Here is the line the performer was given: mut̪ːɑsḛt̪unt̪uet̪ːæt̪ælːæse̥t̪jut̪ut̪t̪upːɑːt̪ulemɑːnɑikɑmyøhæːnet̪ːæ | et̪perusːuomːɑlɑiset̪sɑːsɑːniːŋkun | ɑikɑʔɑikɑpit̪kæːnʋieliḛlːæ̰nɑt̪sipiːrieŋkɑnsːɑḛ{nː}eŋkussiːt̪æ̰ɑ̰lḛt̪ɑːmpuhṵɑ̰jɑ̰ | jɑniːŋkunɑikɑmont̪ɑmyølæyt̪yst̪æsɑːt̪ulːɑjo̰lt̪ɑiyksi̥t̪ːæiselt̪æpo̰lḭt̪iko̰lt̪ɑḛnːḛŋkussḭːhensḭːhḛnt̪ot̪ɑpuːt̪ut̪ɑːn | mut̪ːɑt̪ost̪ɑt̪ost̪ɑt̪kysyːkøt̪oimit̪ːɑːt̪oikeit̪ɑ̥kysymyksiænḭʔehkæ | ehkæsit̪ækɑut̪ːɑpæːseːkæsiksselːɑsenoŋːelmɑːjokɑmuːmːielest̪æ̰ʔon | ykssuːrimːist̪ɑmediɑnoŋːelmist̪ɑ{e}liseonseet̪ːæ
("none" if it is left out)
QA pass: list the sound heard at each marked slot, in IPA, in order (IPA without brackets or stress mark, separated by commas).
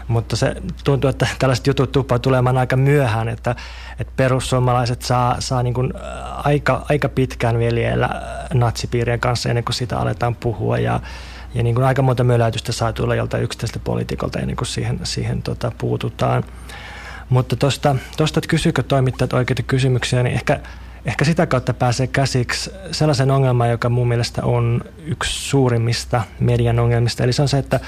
nː, e